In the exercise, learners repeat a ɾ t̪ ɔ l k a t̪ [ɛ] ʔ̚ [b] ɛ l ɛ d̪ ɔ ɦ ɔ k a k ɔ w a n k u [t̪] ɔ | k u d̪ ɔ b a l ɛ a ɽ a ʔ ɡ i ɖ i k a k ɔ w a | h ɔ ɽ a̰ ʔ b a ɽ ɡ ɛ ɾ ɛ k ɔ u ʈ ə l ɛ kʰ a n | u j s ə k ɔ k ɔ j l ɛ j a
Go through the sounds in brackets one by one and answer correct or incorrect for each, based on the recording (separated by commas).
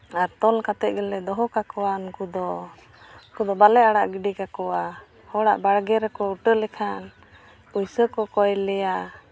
correct, incorrect, incorrect